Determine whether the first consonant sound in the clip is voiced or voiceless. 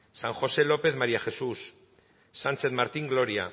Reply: voiceless